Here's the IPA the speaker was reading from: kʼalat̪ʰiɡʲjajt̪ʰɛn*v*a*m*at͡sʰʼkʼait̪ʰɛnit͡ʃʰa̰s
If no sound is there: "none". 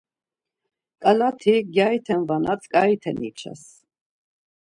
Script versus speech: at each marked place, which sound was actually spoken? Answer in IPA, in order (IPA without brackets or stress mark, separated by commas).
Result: v, n